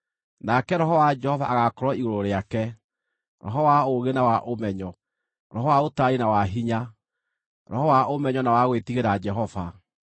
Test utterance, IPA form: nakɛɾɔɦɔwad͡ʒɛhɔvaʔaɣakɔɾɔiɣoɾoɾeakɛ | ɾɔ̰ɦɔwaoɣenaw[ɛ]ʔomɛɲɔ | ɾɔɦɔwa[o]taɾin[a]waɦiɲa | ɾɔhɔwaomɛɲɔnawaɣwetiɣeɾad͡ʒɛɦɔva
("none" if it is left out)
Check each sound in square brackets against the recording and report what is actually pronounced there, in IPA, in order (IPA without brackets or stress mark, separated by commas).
a, o, a